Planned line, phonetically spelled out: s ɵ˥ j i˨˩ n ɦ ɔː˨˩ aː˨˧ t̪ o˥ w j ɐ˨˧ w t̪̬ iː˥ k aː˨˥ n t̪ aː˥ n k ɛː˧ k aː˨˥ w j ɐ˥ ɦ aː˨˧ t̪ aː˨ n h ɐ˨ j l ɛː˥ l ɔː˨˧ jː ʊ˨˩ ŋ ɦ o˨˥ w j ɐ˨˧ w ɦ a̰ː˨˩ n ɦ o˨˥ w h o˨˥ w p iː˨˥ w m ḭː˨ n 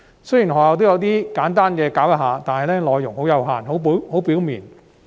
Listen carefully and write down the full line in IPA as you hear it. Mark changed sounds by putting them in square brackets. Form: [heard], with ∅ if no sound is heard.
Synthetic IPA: s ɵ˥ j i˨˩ n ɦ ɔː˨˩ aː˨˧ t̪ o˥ w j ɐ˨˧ w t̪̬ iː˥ k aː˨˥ n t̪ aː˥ n k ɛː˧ k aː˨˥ w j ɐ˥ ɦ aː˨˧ t̪ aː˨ n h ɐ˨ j l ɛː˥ l ɔː˨˧ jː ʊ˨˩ ŋ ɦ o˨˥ w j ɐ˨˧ w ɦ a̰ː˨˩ n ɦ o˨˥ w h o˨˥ w p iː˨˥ w m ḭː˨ n